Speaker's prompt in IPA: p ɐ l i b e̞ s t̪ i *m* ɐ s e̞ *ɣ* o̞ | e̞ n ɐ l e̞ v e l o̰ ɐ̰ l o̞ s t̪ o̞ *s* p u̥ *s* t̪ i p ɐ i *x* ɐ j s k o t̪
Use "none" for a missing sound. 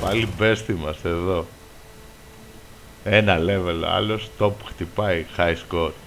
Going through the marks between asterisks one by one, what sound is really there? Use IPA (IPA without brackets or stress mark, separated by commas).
m, ð, none, x, x